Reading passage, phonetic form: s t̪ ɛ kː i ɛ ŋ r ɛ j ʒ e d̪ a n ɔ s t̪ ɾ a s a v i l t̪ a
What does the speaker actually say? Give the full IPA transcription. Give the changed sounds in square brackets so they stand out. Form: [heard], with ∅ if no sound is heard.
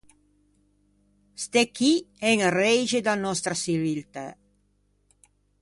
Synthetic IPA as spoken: s t̪ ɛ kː i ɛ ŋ r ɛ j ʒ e d̪ a n ɔ s t̪ ɾ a s [i] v i l t̪ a